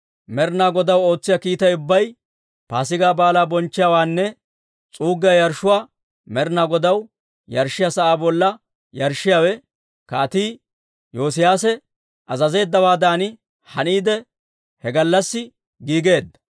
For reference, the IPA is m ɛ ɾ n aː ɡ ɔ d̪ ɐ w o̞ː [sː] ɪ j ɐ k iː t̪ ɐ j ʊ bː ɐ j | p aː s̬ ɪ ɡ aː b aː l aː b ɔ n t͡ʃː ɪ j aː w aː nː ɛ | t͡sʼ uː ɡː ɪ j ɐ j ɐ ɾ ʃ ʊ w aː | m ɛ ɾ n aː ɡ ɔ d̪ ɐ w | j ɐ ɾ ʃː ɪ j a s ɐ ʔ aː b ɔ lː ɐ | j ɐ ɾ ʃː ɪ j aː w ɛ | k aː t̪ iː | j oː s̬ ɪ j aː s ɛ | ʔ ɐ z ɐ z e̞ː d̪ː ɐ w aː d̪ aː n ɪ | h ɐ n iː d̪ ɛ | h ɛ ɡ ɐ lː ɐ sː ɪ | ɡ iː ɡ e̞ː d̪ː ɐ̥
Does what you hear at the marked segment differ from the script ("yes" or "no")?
yes